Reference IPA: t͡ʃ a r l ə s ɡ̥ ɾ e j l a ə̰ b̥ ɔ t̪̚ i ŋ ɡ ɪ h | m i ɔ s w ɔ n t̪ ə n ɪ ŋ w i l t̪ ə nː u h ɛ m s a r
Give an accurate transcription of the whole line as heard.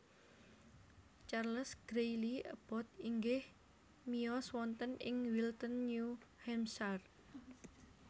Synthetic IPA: t͡ʃ a r l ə s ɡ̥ ɾ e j l i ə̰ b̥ ɔ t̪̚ i ŋ ɡ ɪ h | m i ɔ s w ɔ n t̪ ə n ɪ ŋ w i l t̪ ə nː u h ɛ m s a r